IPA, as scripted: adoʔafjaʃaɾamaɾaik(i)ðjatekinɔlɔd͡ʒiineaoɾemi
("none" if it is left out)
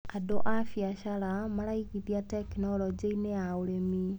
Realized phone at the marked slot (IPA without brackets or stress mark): i